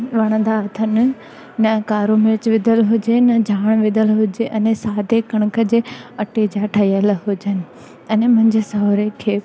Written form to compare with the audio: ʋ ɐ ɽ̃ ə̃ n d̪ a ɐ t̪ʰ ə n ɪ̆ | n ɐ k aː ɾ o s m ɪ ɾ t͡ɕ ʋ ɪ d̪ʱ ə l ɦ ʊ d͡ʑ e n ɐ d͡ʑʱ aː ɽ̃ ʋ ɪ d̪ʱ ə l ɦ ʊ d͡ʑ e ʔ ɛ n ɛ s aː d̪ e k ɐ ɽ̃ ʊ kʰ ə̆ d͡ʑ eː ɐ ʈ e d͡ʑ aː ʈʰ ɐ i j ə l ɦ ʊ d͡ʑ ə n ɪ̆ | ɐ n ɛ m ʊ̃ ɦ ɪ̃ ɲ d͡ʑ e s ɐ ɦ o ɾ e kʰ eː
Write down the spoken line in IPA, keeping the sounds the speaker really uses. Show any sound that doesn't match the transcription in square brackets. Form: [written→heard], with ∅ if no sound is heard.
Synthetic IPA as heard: ʋ ɐ ɽ̃ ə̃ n d̪ a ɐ t̪ʰ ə n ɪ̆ | n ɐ k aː ɾ o [s→∅] m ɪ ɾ t͡ɕ ʋ ɪ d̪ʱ ə l ɦ ʊ d͡ʑ e n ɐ d͡ʑʱ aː ɽ̃ ʋ ɪ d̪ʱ ə l ɦ ʊ d͡ʑ e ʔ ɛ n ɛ s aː d̪ e k ɐ ɽ̃ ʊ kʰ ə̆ d͡ʑ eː ɐ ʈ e d͡ʑ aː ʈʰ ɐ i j ə l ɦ ʊ d͡ʑ ə n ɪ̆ | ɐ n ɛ m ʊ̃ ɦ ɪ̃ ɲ d͡ʑ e s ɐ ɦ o ɾ e kʰ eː